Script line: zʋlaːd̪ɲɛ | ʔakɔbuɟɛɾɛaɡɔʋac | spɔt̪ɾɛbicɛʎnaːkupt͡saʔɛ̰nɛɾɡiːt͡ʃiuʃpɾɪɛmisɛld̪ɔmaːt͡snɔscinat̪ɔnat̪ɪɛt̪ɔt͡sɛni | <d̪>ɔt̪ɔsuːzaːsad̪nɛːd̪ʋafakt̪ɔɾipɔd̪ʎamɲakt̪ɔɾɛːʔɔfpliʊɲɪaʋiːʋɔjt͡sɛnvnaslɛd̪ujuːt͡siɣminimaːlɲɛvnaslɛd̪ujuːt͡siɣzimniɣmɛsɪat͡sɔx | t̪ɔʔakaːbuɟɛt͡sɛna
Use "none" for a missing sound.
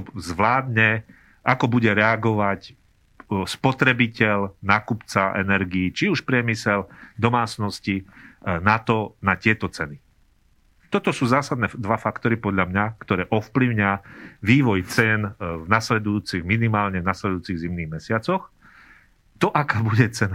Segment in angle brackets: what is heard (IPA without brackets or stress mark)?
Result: t̪